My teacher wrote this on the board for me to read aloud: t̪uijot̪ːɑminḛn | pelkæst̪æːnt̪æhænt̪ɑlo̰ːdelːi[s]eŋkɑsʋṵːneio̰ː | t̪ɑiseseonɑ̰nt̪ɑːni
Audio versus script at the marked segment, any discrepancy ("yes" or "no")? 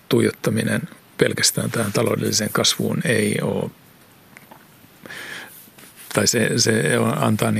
no